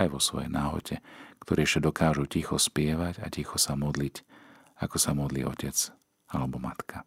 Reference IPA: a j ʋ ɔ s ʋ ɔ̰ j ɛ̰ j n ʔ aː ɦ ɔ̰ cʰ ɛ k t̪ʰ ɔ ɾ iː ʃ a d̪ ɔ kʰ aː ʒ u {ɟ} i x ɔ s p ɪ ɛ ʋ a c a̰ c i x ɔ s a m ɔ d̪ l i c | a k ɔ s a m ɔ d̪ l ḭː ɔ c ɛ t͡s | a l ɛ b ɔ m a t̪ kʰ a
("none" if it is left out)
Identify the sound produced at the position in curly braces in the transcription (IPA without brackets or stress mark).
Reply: c